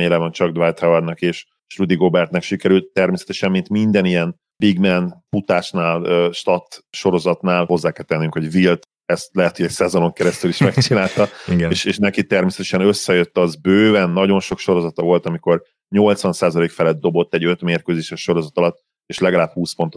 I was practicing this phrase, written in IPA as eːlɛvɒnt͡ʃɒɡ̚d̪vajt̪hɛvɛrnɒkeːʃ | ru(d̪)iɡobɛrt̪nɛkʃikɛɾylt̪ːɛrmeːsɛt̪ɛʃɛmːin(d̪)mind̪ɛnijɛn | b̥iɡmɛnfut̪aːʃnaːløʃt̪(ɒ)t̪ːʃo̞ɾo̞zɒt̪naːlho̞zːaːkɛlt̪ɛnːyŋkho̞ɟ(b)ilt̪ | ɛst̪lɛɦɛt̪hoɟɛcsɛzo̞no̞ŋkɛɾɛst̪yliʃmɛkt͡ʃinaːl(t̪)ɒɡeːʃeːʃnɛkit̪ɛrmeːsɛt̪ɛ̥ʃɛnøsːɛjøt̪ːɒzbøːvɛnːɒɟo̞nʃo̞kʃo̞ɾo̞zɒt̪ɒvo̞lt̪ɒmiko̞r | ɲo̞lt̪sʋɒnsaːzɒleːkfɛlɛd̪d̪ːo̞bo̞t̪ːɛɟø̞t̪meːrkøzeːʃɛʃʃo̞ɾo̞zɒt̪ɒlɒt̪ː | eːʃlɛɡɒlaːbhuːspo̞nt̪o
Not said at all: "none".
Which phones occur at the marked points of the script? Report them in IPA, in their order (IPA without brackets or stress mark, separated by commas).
d̪, t̪, ɒ, v, t̪